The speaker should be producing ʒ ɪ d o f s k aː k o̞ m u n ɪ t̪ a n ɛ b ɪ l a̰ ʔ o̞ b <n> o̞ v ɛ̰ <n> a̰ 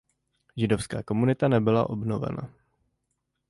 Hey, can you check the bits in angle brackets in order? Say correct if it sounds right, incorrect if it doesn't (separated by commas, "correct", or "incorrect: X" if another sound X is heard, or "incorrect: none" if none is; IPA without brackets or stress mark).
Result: correct, correct